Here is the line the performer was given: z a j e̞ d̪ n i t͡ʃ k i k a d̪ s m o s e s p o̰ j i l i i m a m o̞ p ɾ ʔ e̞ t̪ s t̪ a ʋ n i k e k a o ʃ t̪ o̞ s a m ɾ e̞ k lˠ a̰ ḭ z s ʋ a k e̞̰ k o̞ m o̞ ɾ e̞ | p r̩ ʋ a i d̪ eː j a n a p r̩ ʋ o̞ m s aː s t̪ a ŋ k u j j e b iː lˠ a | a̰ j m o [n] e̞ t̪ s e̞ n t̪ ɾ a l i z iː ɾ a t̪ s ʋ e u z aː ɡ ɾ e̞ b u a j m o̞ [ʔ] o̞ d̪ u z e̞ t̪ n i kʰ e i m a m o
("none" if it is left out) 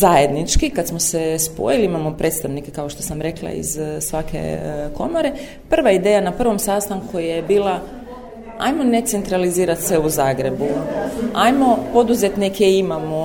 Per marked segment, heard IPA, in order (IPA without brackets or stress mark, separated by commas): n, p